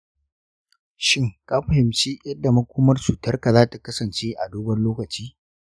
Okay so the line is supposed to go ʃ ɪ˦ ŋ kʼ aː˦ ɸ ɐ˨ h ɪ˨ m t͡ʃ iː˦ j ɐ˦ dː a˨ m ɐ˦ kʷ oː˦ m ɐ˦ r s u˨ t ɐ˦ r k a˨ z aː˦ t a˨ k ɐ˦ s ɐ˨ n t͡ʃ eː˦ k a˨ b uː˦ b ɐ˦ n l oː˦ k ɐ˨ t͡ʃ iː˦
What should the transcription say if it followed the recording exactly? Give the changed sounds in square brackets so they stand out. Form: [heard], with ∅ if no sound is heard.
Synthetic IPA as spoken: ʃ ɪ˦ ŋ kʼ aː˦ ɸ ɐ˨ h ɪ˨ m t͡ʃ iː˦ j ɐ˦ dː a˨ m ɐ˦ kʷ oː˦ m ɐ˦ r s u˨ t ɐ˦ r k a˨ z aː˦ t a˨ k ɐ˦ s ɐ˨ n t͡ʃ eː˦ [ʔ] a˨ [d] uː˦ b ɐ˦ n l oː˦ k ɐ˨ t͡ʃ iː˦